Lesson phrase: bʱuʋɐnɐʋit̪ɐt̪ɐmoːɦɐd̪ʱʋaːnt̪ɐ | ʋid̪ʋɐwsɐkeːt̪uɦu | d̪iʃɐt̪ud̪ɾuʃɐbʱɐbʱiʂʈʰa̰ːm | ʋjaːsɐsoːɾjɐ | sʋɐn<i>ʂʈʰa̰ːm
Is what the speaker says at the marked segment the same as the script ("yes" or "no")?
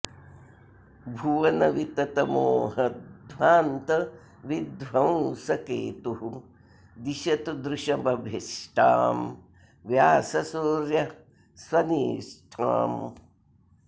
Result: no